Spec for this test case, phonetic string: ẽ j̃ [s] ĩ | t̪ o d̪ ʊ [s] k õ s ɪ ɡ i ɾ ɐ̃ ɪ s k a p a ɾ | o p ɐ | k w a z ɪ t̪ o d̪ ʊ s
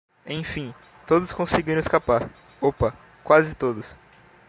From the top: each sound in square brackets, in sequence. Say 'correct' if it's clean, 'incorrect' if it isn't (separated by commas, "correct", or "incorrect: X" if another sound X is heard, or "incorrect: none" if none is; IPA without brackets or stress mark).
incorrect: f, correct